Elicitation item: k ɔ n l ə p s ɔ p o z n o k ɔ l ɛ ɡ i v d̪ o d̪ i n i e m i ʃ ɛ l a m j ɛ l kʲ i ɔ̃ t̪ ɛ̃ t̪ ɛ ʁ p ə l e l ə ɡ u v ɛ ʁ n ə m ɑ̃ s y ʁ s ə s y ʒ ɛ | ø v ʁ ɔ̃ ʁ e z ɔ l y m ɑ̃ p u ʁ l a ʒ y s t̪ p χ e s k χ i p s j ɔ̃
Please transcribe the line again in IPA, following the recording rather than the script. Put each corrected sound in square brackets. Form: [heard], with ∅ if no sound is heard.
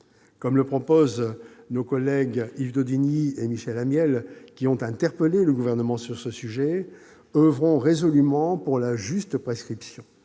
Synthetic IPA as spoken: k ɔ [m] l ə p [χ] ɔ p o z n o k ɔ l ɛ ɡ i v d̪ o d̪ i n i e m i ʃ ɛ l a m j ɛ l kʲ i ɔ̃ t̪ ɛ̃ t̪ ɛ ʁ p ə l e l ə ɡ u v ɛ ʁ n ə m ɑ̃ s y ʁ s ə s y ʒ ɛ | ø v ʁ ɔ̃ ʁ e z ɔ l y m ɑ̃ p u ʁ l a ʒ y s t̪ p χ e s k χ i p s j ɔ̃